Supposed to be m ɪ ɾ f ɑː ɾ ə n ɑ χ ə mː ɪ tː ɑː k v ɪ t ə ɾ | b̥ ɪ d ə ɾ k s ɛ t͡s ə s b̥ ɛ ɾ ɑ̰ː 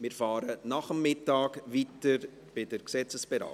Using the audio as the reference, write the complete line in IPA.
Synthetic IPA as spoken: m ɪ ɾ f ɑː ɾ ə n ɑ χ ə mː ɪ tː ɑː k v i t ə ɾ | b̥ ɪ d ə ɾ k s ɛ t͡s ə s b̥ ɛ ɾ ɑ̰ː